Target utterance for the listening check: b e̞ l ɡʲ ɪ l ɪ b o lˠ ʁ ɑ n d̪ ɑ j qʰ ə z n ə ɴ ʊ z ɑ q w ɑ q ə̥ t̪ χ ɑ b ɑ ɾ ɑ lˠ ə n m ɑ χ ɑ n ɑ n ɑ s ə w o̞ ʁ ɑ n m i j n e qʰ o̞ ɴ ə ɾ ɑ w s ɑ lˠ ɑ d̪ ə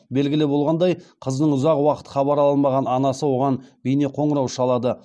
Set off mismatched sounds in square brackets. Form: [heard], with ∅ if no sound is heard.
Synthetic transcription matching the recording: b e̞ l ɡʲ ɪ l ɪ b o lˠ ʁ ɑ n d̪ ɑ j qʰ ə z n ə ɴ ʊ z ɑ q w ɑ q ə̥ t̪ χ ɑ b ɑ ɾ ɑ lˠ ə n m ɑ [ʁ] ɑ n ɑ n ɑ s ə w o̞ ʁ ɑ n [b] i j n e qʰ o̞ ɴ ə ɾ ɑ w [ʃ] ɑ lˠ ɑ d̪ ə